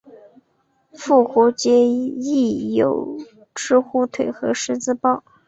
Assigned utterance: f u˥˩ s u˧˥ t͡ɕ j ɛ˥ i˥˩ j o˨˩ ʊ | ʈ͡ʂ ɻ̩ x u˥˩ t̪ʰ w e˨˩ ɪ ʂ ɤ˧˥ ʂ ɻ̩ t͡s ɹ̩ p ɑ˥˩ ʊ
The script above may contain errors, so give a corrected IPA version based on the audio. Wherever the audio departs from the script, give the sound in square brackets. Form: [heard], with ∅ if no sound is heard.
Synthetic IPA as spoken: f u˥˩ [x] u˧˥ t͡ɕ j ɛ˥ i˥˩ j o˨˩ ʊ | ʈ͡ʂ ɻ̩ x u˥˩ t̪ʰ w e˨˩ ɪ [x] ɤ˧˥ ʂ ɻ̩ t͡s ɹ̩ p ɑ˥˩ ʊ